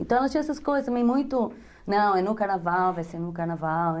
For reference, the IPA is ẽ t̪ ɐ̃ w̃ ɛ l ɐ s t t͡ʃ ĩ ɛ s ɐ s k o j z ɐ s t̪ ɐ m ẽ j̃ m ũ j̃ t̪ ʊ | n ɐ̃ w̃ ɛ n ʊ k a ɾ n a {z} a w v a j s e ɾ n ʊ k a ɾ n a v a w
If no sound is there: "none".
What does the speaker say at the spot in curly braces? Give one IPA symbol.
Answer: v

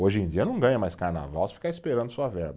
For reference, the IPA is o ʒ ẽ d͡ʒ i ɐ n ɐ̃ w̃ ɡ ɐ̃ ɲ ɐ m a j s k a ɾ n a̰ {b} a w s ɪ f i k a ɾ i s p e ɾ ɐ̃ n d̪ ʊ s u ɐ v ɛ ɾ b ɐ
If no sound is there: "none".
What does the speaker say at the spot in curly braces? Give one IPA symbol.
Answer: v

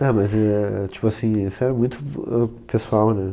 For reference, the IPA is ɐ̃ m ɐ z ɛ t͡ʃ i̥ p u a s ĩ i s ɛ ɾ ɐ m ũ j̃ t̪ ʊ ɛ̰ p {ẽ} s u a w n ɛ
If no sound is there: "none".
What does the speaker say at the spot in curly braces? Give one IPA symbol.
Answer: e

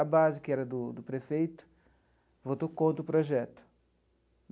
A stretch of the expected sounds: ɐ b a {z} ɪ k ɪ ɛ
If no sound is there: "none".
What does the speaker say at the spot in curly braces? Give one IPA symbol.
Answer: z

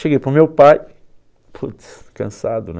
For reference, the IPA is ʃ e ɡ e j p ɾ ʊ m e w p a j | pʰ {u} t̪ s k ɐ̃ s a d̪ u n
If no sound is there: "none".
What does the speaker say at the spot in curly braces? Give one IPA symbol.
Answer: u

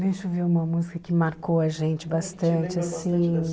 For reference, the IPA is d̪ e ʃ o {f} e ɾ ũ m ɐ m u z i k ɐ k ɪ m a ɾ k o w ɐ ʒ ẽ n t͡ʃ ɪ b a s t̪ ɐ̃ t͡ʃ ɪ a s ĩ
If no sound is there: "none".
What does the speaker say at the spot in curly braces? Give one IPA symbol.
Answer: v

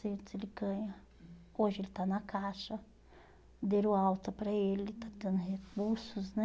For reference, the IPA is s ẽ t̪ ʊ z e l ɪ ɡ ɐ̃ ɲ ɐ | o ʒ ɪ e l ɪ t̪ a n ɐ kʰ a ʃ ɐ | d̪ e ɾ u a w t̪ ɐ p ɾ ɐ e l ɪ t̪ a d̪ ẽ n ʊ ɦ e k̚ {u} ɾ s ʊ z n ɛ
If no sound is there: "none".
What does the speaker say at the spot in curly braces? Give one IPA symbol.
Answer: u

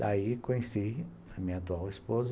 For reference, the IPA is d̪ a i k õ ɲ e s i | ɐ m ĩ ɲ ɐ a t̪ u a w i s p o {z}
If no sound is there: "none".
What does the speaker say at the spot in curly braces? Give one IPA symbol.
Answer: z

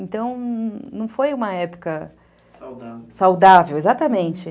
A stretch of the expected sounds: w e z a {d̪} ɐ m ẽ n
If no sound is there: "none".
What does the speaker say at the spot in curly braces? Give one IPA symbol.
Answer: t̪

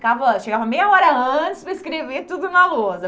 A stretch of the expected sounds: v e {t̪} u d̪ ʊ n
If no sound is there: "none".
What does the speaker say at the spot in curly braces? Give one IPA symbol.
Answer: t̪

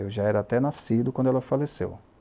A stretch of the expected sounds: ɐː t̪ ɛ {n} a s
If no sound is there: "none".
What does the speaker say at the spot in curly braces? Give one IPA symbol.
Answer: n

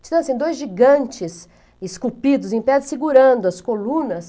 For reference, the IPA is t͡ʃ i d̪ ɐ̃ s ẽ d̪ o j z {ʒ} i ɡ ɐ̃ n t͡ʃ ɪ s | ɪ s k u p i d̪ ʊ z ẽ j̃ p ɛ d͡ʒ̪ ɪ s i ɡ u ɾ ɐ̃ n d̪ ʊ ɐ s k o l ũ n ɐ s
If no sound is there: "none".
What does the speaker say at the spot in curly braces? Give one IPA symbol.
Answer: ʒ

